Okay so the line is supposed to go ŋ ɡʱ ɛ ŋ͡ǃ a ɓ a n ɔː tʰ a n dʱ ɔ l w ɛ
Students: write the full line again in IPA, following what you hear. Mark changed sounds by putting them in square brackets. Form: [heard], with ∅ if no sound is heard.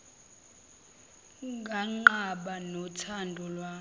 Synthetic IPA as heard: ŋ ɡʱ [a] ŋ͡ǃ a ɓ a n [ɔ] tʰ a n dʱ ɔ l w [a]